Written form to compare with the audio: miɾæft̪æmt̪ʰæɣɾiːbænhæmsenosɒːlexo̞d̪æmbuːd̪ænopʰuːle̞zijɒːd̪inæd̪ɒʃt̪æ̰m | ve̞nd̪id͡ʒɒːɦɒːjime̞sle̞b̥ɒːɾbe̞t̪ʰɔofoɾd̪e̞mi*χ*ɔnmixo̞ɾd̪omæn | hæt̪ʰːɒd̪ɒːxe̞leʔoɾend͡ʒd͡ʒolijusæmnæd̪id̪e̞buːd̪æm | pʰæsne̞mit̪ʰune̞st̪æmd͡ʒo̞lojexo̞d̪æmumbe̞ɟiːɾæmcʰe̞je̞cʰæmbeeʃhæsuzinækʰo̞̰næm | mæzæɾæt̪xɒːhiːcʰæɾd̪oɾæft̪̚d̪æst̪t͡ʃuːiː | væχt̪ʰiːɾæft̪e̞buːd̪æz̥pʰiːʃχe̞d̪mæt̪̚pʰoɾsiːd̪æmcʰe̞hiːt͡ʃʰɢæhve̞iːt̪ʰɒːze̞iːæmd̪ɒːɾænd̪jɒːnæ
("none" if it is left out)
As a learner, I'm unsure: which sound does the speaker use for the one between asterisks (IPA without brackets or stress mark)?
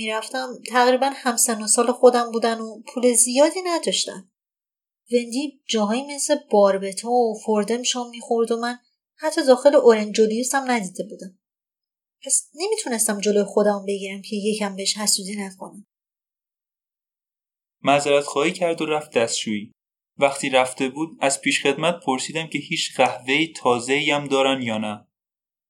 ʃ